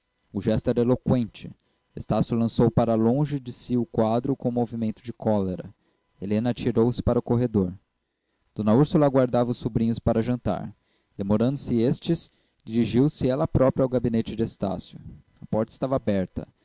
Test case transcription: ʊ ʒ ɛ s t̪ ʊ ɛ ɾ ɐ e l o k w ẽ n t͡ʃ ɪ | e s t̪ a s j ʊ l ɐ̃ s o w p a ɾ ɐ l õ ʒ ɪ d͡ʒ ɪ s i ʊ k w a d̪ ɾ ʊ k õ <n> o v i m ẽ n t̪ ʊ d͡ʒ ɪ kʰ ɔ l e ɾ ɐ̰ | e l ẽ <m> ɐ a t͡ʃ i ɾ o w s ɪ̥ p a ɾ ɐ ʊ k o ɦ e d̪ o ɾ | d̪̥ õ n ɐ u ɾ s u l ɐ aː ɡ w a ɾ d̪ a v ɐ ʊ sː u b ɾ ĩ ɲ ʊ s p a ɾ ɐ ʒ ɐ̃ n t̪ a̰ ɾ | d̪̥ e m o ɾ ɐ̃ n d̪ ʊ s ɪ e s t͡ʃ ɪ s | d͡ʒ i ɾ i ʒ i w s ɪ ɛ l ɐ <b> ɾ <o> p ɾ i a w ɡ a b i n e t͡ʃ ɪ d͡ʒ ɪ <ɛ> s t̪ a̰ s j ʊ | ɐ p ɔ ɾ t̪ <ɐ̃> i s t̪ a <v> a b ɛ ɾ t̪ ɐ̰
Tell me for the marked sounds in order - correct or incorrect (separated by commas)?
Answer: incorrect, incorrect, incorrect, incorrect, incorrect, incorrect, correct